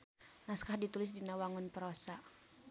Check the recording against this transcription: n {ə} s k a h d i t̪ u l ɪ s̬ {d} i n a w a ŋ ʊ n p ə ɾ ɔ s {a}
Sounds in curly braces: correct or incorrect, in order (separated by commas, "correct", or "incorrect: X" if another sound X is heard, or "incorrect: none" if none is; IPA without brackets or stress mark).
incorrect: a, correct, correct